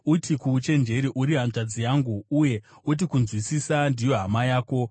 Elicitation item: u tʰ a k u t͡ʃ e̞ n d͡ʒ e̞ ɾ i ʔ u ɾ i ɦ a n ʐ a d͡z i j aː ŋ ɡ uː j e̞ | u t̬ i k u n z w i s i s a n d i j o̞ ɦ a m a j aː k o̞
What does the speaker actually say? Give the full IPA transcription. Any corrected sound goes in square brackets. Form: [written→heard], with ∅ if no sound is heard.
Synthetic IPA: u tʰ [a→i] k u t͡ʃ e̞ n d͡ʒ e̞ ɾ i ʔ u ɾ i ɦ a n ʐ a d͡z i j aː ŋ ɡ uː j e̞ | u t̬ i k u n z w i s i s a n d i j o̞ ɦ a m a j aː k o̞

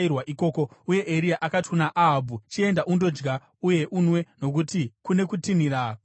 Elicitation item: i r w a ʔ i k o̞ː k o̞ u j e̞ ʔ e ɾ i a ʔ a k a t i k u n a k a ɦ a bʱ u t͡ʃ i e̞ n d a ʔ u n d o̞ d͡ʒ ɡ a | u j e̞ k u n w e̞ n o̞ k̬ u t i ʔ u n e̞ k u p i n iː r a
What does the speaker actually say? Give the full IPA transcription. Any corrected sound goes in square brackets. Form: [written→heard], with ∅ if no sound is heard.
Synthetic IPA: i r w a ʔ i k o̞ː k o̞ u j e̞ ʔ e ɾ i a ʔ a k a t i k u n a [k→ʔ] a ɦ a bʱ u t͡ʃ i e̞ n d a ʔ u n d o̞ d͡ʒ ɡ a | u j e̞ [k→ʔ] u n w e̞ n o̞ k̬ u t i [ʔ→k] u n e̞ k u [p→t] i n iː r a

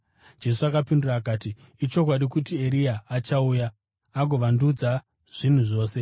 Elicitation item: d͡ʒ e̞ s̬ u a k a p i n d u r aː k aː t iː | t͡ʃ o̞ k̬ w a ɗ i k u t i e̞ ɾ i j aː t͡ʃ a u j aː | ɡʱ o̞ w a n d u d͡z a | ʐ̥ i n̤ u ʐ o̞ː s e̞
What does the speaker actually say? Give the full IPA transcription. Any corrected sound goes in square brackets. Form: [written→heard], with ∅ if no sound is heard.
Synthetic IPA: d͡ʒ e̞ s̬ u a k a p i n d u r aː k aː t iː | t͡ʃ o̞ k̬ w a ɗ i k u t i e̞ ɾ i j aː t͡ʃ a u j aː | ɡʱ o̞ [w→ʋ] a n d u d͡z a | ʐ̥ i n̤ u ʐ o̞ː s e̞

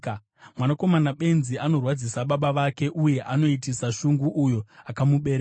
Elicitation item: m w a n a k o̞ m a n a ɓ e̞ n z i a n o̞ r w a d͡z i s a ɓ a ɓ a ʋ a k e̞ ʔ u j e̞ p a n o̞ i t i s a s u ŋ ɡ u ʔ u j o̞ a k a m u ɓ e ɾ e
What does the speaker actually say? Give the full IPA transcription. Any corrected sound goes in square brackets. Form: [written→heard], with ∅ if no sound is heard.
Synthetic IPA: m w a n a k o̞ m a n a ɓ e̞ n z i a n o̞ r w a d͡z i s a ɓ a ɓ a ʋ a k e̞ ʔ u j e̞ [p→ʔ] a n o̞ i t i s a [s→ʃ] u ŋ ɡ u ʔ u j o̞ a k a m u ɓ e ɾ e

